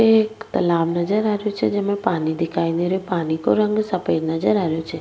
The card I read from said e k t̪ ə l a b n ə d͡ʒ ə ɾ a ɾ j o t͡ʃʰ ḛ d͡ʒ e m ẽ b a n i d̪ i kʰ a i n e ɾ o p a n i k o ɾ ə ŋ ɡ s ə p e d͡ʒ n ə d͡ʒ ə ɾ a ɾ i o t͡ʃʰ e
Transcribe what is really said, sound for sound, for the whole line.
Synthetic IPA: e k t̪ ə l a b n ə d͡ʒ ə ɾ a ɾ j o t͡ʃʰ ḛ d͡ʒ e m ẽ p a n i d̪ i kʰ a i n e ɾ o p a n i k o ɾ ə ŋ ɡ s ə p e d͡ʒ n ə d͡ʒ ə ɾ a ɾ j o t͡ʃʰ e